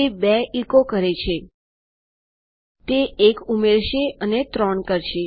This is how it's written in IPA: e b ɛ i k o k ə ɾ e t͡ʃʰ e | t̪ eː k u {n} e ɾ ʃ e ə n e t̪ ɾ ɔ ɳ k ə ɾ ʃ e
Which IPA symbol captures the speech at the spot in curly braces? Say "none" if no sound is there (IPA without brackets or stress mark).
m